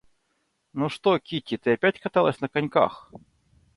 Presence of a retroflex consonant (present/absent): present